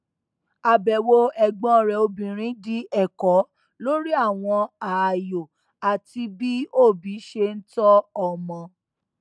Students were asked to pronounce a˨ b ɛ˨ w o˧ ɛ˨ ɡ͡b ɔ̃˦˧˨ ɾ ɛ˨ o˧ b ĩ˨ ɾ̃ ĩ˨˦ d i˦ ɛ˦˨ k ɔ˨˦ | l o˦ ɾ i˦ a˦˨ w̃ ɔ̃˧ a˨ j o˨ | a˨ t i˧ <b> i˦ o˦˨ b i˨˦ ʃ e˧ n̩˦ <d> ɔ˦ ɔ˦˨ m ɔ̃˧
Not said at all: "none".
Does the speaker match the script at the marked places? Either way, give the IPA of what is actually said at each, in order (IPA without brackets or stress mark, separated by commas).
b, t